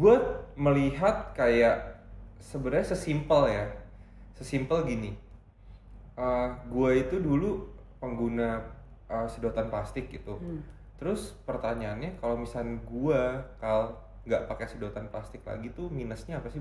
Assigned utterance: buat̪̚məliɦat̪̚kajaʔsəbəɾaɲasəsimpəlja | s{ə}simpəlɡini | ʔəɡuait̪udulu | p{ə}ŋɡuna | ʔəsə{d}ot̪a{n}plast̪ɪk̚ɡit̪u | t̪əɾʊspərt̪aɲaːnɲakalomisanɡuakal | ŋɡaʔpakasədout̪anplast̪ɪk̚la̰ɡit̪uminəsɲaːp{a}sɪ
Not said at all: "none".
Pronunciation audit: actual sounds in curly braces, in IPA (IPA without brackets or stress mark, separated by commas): ə, ə, d, n, a